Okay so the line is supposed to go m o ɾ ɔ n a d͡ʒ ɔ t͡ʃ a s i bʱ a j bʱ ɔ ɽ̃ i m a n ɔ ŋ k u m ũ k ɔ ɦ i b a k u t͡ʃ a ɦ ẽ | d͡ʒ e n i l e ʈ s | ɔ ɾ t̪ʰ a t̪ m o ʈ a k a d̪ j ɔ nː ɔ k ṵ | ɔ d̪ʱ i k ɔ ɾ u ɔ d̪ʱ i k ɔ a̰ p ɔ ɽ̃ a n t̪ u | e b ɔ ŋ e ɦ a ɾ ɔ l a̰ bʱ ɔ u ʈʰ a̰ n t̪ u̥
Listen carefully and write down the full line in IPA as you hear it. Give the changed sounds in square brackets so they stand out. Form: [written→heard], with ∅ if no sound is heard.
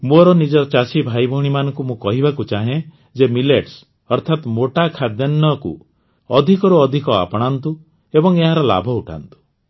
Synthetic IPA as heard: m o ɾ ɔ n [a→i] d͡ʒ ɔ t͡ʃ a s i bʱ a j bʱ ɔ ɽ̃ i m a n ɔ ŋ k u m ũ k ɔ ɦ i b a k u t͡ʃ a ɦ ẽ | d͡ʒ e [n→m] i l e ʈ s | ɔ ɾ t̪ʰ a t̪ m o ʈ a [k→kʰ] a d̪ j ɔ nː ɔ k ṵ | ɔ d̪ʱ i k ɔ ɾ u ɔ d̪ʱ i k ɔ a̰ p ɔ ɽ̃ a n t̪ u | e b ɔ ŋ e ɦ a ɾ ɔ l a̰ bʱ ɔ u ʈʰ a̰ n t̪ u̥